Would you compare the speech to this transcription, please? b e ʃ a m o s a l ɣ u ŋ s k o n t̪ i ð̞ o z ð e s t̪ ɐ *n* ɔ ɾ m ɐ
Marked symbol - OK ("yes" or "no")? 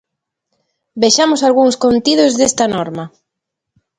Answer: yes